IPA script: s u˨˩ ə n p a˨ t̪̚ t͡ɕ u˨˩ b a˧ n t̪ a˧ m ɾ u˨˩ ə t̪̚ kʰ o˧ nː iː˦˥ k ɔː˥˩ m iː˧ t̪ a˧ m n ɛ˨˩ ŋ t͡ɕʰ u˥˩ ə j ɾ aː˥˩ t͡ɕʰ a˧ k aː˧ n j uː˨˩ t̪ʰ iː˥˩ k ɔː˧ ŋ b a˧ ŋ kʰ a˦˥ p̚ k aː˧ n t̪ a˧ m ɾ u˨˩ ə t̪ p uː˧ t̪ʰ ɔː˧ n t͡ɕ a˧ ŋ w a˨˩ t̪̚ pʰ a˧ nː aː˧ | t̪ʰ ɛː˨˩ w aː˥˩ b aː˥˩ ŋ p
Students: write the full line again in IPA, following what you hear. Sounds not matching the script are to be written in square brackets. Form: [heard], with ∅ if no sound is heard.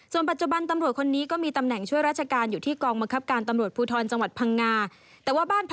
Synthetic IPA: s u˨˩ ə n p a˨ t̪̚ t͡ɕ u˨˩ b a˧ n t̪ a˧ m ɾ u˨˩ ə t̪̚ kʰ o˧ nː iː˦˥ k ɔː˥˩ m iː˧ t̪ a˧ m n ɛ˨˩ ŋ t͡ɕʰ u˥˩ ə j ɾ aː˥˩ t͡ɕʰ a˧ k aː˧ n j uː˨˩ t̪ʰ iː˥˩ k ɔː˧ ŋ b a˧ ŋ kʰ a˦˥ p̚ k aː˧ n t̪ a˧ m ɾ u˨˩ ə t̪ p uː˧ t̪ʰ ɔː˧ n t͡ɕ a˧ ŋ w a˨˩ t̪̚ pʰ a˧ [ŋː] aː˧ | [t̪] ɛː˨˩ w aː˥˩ b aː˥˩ [n] p